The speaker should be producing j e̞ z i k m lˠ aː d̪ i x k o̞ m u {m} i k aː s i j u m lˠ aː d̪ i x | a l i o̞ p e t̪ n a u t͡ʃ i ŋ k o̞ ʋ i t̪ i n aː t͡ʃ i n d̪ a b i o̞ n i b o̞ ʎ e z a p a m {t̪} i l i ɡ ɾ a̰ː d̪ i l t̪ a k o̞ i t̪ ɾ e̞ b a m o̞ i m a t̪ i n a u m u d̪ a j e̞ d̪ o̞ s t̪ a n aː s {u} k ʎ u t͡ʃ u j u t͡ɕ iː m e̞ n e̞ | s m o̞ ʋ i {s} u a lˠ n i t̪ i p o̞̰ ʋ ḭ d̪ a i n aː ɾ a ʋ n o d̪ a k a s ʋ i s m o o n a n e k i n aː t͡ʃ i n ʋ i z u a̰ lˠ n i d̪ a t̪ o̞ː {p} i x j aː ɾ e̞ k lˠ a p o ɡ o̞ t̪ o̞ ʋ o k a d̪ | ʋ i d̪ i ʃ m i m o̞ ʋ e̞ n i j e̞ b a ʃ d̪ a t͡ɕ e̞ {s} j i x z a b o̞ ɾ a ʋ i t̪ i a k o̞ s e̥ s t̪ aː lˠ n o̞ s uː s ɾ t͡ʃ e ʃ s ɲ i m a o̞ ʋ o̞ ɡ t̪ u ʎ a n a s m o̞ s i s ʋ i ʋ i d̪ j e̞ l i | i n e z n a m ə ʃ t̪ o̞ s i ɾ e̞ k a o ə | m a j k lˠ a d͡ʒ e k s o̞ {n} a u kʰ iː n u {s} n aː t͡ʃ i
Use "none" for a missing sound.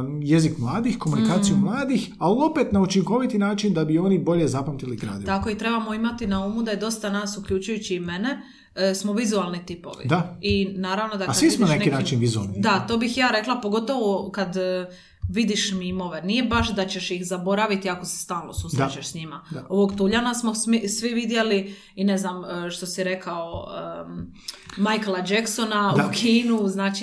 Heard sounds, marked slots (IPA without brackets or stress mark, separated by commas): n, t̪, u, z, b, ʃ, n, z